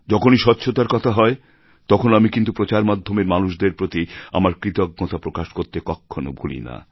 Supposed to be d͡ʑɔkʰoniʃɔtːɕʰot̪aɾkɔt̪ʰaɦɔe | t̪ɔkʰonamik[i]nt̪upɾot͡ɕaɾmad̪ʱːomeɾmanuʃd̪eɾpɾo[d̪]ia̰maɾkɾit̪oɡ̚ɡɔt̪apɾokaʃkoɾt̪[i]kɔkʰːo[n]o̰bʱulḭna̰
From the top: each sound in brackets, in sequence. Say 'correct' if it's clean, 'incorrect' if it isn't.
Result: correct, incorrect: t̪, incorrect: e, correct

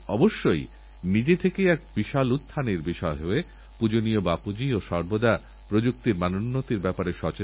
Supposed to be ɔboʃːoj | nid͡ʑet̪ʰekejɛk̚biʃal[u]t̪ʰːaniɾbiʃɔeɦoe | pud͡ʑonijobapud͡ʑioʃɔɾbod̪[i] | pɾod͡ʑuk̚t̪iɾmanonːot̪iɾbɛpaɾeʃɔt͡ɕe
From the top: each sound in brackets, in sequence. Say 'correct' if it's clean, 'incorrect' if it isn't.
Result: correct, incorrect: a

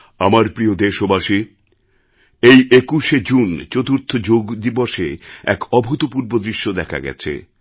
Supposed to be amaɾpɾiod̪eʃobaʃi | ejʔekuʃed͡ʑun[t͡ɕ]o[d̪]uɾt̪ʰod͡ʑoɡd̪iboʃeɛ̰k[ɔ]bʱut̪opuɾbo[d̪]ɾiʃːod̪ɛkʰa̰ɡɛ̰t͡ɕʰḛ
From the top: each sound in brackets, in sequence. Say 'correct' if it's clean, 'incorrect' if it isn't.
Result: correct, incorrect: t̪, correct, correct

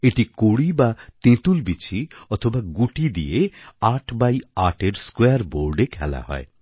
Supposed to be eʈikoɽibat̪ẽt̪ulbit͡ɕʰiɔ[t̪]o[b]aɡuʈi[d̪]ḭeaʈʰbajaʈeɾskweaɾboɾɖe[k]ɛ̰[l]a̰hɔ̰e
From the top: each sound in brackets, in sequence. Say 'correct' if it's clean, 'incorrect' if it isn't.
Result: incorrect: t̪ʰ, correct, correct, incorrect: kʰ, correct

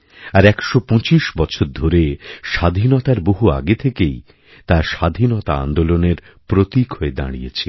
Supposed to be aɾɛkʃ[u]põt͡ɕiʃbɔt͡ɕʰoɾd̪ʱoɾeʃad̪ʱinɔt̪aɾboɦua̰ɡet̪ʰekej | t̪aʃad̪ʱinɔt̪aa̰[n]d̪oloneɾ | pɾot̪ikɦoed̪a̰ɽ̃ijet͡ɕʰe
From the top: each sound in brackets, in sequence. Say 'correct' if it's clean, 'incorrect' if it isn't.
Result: incorrect: o, correct

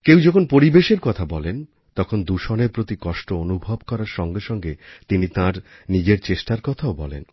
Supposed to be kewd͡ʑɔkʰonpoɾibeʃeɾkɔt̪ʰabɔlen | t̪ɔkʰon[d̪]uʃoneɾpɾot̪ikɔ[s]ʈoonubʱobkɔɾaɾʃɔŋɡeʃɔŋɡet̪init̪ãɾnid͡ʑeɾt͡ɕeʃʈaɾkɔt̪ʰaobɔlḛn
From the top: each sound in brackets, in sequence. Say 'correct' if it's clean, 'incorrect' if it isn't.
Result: correct, incorrect: ʃ

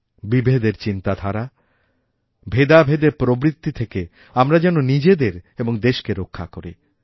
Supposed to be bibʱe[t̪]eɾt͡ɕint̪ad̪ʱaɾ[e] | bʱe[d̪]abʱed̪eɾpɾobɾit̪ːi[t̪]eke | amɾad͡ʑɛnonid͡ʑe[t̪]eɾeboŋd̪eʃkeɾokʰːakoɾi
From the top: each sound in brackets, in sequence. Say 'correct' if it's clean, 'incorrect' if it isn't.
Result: incorrect: d̪, incorrect: a, correct, incorrect: t̪ʰ, incorrect: d̪

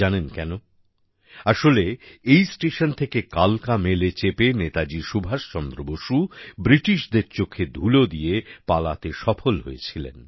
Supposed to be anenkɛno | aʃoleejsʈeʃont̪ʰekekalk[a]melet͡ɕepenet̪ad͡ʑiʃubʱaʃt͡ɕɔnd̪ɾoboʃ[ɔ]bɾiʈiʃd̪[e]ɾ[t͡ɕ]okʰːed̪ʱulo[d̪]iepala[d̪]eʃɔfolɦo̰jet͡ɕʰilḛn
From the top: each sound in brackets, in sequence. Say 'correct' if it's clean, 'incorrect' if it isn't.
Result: correct, incorrect: u, correct, correct, correct, incorrect: t̪

